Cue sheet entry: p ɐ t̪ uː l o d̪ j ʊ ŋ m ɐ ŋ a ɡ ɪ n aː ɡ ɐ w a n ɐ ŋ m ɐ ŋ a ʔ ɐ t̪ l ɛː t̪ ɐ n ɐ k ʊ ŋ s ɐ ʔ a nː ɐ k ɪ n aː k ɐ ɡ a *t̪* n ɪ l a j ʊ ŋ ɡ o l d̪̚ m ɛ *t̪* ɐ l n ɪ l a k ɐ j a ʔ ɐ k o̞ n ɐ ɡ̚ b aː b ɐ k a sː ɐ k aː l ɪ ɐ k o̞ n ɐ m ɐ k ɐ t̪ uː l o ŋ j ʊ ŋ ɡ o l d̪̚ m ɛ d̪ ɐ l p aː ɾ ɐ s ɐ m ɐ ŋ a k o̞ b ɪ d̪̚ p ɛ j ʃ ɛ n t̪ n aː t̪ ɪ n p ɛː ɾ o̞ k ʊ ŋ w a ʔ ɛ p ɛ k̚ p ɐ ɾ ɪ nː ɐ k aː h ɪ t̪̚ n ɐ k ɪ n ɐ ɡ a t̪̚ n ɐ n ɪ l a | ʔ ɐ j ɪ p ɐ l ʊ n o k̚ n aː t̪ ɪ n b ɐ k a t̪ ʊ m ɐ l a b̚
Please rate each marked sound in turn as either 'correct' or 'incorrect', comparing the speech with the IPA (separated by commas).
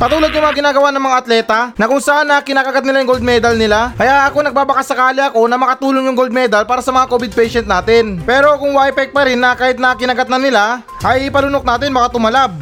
correct, incorrect